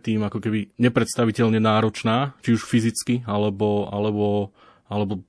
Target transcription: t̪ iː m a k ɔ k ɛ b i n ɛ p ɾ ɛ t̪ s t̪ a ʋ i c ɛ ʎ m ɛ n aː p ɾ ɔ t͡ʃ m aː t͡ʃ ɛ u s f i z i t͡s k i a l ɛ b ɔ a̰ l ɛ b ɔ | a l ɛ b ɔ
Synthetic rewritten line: t̪ iː m a k ɔ k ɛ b i ɲ ɛ p ɾ ɛ t̪ s t̪ a ʋ i c ɛ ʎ ɲ ɛ n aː ɾ ɔ t͡ʃ n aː t͡ʃ i u ʃ f i z i t͡s k i a l ɛ b ɔ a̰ l ɛ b ɔ | a l ɛ b ɔ